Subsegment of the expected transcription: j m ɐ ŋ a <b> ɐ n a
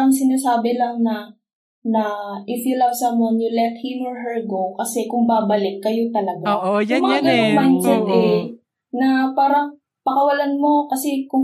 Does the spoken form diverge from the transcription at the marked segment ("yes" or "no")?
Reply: yes